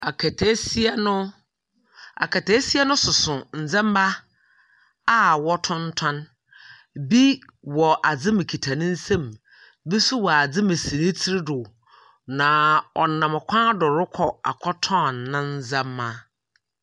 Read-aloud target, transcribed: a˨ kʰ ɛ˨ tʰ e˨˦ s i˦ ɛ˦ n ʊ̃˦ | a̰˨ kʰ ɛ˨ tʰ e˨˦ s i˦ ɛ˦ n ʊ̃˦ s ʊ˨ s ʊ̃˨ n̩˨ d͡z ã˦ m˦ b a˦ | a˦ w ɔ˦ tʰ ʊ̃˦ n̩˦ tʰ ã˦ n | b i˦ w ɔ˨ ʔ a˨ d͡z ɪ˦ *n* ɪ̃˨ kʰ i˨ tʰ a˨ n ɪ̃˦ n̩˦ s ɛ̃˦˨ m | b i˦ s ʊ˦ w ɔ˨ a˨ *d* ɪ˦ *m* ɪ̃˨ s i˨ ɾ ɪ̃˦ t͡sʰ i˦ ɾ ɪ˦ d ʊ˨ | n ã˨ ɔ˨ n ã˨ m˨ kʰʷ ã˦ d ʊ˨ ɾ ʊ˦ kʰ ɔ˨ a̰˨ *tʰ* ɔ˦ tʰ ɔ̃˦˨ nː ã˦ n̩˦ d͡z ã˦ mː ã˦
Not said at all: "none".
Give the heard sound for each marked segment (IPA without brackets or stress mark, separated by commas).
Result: m, d͡z, m, kʰ